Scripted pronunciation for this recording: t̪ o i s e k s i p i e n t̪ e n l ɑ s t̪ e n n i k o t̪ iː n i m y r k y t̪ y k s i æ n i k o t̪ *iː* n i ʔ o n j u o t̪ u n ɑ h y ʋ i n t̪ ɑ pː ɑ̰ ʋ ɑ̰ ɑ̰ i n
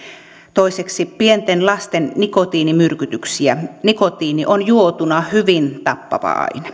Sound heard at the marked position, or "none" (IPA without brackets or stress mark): iː